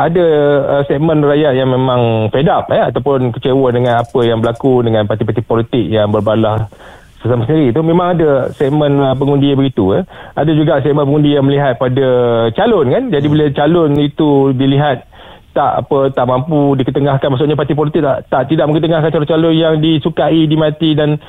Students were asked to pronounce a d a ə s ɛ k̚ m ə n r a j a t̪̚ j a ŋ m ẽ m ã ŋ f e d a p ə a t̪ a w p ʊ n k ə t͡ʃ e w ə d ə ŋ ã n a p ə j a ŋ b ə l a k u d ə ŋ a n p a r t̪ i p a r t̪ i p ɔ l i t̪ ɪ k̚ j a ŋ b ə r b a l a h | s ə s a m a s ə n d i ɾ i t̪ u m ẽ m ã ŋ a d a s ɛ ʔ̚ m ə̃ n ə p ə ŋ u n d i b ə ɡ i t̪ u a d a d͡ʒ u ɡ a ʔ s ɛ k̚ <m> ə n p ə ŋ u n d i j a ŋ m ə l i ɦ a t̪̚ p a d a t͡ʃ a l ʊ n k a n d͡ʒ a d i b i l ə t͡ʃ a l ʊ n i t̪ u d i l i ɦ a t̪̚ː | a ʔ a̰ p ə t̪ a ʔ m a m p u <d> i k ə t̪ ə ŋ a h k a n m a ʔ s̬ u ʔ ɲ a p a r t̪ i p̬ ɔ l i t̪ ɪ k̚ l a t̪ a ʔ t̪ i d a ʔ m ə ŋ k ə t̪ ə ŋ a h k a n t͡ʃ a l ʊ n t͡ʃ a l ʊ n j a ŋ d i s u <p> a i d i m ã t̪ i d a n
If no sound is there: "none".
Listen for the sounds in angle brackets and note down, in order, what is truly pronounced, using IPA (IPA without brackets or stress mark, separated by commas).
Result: m, d, k